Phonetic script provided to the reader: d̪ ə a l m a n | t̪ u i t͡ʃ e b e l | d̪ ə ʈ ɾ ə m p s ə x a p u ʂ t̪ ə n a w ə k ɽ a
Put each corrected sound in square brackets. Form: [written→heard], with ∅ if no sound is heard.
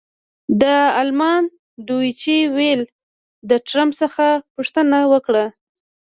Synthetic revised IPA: d̪ ə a l m [a→ɑ] n | [t̪→d̪] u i t͡ʃ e [b→w] e l | d̪ ə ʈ ɾ [ə→a] m p s ə x a p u ʂ t̪ ə n a w ə k ɽ a